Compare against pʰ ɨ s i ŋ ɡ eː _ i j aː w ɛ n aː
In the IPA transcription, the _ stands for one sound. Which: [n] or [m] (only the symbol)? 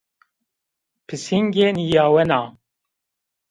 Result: n